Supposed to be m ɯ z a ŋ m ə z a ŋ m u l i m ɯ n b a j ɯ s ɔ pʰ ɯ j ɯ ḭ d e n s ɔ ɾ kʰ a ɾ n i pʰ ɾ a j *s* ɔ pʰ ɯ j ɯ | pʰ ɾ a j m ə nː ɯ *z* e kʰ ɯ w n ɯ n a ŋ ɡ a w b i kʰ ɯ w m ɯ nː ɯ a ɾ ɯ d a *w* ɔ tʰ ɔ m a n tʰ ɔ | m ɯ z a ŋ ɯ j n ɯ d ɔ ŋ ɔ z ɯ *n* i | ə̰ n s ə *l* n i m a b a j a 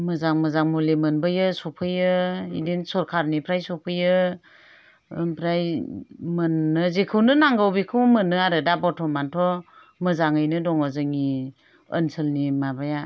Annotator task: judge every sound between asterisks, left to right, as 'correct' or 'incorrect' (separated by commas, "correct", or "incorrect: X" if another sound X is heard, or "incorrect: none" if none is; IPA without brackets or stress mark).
correct, correct, incorrect: b, incorrect: ŋ, correct